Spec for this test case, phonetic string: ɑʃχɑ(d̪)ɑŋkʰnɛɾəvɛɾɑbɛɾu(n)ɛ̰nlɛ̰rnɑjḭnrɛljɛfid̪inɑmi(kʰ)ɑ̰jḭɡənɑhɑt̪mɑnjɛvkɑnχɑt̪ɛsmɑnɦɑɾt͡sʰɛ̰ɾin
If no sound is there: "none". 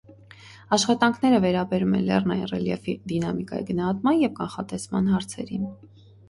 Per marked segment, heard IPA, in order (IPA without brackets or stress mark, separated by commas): t̪, m, k